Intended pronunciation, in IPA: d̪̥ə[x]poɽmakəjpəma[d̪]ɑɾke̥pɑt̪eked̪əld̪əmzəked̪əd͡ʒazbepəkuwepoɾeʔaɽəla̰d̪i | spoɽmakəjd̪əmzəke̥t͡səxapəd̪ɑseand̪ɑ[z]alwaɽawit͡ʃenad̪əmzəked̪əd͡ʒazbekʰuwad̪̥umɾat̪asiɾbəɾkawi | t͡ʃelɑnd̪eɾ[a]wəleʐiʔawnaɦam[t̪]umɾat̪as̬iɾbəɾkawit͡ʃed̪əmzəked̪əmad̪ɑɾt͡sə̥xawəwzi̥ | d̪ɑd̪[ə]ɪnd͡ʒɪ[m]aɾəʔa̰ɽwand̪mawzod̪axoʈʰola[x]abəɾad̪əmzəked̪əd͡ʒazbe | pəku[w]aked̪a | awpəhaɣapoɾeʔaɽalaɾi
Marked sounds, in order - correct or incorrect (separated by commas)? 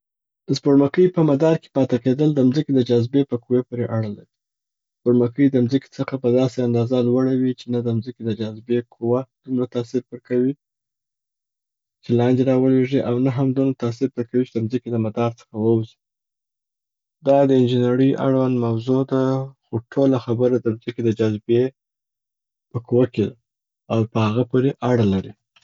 incorrect, correct, correct, incorrect, incorrect, correct, incorrect, correct, correct